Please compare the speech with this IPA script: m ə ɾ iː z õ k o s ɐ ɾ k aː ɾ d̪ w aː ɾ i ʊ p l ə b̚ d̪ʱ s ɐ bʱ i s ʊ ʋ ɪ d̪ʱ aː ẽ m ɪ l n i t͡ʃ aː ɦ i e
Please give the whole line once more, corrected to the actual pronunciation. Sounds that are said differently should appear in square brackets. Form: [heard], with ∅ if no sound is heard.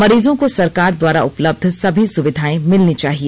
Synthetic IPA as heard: m [ɐ] ɾ iː z õ k o s ɐ ɾ k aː ɾ d̪ w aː ɾ [a] ʊ p l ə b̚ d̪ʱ s ɐ bʱ i s ʊ ʋ ɪ d̪ʱ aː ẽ m ɪ l n i t͡ʃ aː ɦ i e